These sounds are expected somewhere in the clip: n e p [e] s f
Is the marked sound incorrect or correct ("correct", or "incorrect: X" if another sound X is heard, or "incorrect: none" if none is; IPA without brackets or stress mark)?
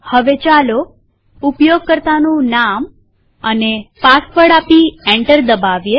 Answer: incorrect: a